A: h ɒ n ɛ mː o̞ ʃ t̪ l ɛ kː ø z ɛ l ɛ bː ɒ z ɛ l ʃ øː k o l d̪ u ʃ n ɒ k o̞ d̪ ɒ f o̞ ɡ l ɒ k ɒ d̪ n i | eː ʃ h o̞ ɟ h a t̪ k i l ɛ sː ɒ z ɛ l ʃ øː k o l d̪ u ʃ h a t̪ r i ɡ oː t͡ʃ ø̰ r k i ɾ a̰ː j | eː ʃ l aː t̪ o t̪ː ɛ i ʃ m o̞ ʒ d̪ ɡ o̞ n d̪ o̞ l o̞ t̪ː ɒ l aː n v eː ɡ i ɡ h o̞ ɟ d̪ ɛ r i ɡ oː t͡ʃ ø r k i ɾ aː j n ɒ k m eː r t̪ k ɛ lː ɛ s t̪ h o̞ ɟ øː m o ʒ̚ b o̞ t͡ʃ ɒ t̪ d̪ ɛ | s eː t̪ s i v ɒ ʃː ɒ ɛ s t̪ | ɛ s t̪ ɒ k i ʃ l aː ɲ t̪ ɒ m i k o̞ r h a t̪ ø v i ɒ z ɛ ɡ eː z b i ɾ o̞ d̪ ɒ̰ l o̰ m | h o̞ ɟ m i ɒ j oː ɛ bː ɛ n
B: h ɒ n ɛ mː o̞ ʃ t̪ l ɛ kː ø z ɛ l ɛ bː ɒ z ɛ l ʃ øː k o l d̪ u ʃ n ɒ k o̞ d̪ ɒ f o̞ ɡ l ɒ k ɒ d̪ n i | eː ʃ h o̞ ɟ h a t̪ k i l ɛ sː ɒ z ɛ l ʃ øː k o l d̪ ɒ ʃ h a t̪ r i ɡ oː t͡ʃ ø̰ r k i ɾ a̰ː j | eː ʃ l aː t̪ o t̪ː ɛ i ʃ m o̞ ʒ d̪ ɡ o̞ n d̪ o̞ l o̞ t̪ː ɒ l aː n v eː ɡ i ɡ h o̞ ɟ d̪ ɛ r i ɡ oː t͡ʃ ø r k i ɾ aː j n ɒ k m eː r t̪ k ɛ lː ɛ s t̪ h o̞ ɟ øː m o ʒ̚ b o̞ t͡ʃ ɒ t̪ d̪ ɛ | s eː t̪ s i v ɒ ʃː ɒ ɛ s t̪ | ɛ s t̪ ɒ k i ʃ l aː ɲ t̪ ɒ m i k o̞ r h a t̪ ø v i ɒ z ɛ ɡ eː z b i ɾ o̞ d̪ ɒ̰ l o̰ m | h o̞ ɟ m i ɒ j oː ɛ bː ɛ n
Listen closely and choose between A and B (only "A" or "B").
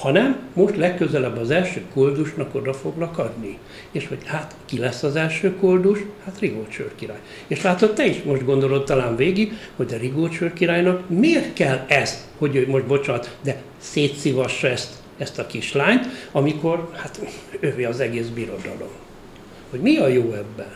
A